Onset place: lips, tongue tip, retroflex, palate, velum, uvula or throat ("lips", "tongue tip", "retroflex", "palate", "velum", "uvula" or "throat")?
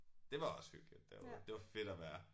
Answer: tongue tip